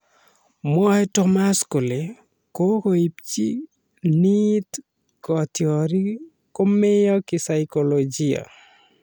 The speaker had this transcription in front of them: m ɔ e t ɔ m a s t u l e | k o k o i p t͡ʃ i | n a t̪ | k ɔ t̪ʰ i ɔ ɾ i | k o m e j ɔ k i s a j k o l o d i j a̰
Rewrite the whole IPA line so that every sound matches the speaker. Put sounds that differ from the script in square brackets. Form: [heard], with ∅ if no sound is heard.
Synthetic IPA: m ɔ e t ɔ m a s [k] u l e | k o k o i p t͡ʃ i | n [i] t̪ | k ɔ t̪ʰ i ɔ ɾ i | k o m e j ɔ k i s a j k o l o [d͡ʒ] i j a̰